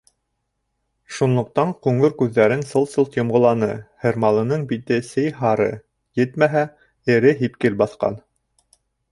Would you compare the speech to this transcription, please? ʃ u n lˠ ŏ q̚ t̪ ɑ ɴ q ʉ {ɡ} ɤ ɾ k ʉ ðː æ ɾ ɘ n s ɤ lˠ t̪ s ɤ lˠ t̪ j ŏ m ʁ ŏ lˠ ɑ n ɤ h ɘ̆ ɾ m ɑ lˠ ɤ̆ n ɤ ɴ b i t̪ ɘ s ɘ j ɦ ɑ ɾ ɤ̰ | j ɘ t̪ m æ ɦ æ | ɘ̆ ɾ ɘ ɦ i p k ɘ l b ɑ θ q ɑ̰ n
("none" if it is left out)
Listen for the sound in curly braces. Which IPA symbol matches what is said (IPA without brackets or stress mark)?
ŋ